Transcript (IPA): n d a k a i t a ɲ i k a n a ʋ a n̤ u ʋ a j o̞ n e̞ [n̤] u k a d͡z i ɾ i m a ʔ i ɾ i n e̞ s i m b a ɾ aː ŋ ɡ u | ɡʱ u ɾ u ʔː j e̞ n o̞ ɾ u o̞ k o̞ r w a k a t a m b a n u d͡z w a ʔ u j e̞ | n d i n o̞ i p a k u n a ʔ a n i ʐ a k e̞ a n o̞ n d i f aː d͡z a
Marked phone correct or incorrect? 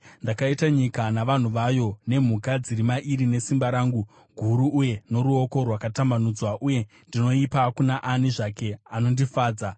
incorrect